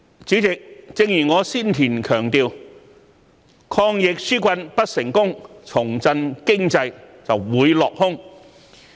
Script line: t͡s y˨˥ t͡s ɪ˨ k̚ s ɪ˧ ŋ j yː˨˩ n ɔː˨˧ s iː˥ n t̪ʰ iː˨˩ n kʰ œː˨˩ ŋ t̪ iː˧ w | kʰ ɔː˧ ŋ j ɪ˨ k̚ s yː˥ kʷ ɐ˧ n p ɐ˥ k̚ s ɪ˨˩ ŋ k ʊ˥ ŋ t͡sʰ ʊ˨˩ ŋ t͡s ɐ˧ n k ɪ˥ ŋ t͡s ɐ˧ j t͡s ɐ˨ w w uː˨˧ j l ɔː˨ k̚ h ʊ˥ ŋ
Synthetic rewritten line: t͡s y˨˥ t͡s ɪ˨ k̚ t͡s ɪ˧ ŋ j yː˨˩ ŋ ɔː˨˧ s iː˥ n t̪ʰ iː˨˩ n kʰ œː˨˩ ŋ t̪ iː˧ w | kʰ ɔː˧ ŋ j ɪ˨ k̚ s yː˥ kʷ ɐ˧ n p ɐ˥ t̚ s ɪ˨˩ ŋ k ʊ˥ ŋ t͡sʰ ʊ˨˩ ŋ t͡s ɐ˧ n k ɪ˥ ŋ t͡s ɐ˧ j t͡s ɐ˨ w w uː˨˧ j l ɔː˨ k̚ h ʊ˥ ŋ